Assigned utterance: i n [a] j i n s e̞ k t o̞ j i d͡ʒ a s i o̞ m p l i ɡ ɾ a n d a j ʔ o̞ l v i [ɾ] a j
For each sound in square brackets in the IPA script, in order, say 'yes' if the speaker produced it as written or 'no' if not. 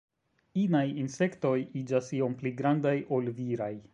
yes, yes

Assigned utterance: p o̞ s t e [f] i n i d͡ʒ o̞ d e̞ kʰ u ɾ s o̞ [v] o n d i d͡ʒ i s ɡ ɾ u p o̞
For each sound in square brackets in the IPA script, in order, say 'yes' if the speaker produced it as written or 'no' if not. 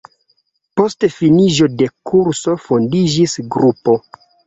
yes, no

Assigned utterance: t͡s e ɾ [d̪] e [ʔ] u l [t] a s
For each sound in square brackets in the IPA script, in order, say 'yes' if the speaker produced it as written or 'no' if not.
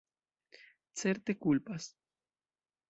no, no, no

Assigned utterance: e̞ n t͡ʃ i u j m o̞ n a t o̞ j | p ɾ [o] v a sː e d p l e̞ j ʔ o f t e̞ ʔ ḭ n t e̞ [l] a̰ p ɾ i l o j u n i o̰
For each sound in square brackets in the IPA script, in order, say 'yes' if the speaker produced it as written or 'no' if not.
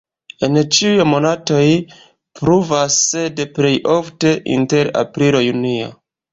no, no

